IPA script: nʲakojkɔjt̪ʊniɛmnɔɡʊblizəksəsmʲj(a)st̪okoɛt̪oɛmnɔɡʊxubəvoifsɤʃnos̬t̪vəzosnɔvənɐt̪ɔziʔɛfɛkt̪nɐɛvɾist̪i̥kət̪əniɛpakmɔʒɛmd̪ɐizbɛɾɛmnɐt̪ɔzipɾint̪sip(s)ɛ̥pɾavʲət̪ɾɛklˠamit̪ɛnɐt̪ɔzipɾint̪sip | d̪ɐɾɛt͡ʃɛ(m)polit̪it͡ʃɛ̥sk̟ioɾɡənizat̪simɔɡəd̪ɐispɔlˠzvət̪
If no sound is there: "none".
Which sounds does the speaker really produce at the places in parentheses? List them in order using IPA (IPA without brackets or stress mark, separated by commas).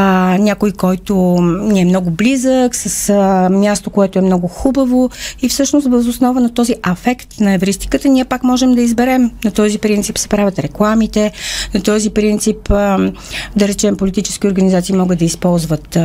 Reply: a, s, m